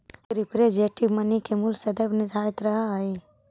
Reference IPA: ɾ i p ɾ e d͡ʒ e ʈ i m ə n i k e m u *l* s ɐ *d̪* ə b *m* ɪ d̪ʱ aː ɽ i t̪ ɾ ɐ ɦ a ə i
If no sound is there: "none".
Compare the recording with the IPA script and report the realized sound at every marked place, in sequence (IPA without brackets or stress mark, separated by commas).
l, d̪, n